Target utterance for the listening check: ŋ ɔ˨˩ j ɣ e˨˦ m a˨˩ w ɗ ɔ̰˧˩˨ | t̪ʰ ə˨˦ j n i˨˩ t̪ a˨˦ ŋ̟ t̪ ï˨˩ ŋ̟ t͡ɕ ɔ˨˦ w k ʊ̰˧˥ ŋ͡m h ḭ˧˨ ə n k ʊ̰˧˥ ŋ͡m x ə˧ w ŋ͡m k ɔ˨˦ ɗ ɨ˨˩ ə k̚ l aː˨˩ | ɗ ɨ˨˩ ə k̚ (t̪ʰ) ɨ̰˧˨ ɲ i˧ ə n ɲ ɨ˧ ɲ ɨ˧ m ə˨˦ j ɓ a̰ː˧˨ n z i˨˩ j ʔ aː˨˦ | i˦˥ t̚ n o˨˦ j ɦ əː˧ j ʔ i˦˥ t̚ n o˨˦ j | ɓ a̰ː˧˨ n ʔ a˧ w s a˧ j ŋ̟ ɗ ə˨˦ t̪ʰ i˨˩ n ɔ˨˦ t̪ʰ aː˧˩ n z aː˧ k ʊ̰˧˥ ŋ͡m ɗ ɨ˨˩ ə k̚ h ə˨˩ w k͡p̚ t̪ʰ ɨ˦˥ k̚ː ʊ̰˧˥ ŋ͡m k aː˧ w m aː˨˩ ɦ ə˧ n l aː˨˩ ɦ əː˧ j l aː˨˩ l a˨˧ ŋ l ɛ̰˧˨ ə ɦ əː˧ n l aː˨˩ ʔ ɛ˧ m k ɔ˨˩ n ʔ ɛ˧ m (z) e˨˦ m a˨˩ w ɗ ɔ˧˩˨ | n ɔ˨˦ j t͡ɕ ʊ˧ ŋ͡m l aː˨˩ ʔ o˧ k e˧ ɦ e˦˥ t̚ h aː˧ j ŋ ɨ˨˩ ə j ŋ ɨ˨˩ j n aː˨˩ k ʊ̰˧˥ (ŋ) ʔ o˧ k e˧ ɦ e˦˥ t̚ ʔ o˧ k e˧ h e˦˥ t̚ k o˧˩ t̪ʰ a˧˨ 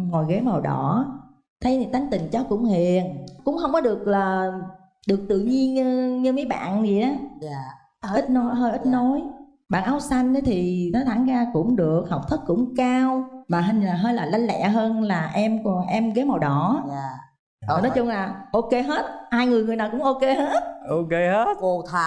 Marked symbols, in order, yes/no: no, no, no

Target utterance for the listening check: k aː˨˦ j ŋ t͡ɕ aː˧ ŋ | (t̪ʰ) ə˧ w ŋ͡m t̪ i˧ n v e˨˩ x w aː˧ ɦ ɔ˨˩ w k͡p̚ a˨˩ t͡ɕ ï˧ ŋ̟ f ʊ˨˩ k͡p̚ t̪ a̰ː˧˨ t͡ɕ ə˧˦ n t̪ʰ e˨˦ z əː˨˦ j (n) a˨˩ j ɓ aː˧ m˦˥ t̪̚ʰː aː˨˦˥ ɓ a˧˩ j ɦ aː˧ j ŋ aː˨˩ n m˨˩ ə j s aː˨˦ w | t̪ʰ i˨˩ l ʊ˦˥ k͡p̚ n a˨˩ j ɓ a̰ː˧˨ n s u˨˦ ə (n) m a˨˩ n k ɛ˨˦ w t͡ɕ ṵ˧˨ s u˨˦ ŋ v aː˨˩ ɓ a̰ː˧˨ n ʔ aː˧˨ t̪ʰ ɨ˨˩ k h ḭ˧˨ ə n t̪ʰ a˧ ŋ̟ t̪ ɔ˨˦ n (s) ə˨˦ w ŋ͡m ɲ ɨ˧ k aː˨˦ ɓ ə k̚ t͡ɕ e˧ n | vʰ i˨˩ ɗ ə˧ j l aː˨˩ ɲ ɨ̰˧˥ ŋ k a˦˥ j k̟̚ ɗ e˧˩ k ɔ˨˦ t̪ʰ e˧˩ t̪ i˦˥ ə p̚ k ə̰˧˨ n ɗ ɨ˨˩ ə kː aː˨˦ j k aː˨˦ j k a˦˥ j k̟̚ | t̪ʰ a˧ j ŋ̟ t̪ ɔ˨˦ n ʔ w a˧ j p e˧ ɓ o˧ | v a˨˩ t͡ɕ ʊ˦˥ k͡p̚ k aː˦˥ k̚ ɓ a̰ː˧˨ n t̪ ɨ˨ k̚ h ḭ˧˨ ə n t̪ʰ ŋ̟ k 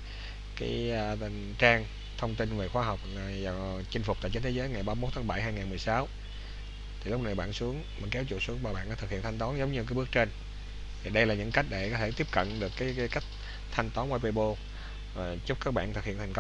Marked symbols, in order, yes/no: yes, no, no, no

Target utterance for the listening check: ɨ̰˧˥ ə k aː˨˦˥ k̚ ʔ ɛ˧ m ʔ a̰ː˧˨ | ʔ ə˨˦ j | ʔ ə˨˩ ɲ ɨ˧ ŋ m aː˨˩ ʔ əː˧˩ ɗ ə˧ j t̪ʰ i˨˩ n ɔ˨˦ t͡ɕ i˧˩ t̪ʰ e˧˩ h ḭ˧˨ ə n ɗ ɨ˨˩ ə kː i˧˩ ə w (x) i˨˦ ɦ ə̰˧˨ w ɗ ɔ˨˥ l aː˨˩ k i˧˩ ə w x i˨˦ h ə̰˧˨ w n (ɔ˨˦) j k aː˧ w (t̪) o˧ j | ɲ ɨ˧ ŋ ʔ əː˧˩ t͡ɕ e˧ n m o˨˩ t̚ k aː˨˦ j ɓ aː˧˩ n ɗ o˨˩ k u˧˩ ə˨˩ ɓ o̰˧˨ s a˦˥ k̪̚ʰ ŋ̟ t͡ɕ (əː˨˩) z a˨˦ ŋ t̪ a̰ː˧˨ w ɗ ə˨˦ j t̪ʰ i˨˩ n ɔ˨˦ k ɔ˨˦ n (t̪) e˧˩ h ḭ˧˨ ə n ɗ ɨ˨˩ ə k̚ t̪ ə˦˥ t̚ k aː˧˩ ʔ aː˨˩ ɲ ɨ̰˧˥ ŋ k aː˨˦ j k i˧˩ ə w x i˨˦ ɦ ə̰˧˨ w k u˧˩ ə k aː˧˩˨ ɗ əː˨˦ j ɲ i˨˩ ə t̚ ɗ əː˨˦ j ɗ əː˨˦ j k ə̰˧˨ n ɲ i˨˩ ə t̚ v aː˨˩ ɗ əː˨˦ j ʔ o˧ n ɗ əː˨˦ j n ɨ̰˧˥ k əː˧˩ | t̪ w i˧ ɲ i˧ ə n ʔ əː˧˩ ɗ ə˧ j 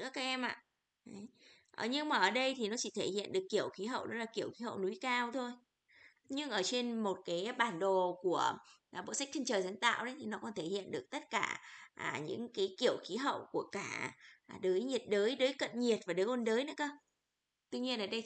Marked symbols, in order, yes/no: yes, no, no, yes, no

